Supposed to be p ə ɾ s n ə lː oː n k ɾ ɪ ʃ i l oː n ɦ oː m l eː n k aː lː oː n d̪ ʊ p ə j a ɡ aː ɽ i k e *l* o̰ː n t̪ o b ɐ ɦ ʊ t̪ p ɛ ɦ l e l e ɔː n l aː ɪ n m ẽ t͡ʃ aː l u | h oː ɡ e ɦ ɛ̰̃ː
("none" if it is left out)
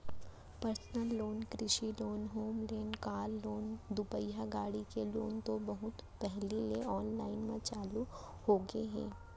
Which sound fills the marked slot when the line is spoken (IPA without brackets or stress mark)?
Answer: l